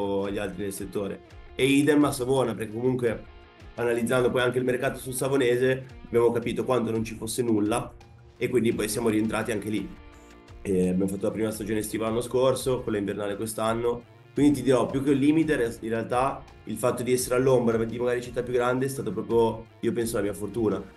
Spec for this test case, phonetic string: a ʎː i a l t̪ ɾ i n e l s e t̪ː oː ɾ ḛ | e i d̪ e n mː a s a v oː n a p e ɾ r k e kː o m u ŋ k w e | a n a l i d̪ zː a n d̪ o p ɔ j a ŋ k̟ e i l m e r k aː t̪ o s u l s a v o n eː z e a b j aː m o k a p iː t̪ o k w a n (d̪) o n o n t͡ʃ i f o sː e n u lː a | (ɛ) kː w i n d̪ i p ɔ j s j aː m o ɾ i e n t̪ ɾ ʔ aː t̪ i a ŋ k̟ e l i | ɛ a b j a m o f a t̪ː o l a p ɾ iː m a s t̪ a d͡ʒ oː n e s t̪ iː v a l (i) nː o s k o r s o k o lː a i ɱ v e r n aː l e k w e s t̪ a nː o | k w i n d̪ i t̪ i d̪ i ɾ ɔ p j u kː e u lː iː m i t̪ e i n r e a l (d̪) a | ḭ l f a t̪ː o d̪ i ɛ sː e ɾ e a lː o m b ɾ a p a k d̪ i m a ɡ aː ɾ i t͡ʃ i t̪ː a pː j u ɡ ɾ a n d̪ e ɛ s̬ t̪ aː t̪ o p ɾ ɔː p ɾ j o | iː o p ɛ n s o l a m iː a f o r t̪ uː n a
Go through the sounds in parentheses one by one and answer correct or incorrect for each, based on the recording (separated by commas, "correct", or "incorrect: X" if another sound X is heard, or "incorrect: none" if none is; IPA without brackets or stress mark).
incorrect: t̪, incorrect: e, incorrect: a, incorrect: t̪